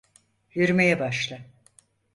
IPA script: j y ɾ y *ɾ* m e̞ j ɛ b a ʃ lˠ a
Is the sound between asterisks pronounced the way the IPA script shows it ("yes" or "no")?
no